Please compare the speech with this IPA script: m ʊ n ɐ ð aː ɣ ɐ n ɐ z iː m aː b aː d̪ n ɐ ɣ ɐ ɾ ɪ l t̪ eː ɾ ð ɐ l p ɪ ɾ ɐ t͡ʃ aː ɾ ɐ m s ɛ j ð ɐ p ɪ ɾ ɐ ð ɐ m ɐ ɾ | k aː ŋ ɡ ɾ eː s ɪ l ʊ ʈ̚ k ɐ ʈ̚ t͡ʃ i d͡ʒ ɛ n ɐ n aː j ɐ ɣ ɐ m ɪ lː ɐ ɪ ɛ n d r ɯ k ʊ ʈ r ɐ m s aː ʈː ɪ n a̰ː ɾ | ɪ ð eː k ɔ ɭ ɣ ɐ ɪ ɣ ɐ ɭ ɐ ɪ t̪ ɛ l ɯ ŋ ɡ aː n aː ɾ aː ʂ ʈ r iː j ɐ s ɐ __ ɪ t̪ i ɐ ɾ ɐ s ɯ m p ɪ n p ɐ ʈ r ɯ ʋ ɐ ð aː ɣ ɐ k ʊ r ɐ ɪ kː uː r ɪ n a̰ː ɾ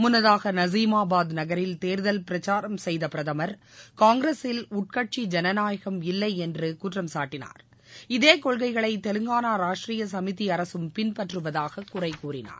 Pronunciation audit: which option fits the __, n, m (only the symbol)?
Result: m